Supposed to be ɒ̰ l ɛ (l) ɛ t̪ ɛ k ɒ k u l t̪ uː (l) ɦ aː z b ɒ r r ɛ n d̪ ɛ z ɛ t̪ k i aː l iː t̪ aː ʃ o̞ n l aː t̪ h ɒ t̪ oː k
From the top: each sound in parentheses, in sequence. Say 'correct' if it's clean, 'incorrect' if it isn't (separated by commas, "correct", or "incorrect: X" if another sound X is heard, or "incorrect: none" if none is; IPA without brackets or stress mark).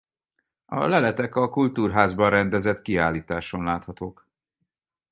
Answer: correct, incorrect: r